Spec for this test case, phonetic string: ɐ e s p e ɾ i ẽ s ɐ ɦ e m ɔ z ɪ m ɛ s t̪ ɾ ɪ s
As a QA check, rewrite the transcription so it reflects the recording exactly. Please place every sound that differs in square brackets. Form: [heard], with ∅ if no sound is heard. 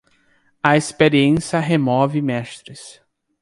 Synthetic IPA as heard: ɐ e s p e ɾ i ẽ s ɐ ɦ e m ɔ [v] ɪ m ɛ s t̪ ɾ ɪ s